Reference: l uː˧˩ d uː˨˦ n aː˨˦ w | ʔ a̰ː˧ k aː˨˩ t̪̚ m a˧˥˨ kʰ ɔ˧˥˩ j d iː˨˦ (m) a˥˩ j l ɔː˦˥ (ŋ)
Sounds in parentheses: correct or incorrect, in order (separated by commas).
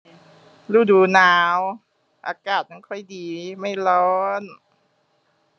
correct, incorrect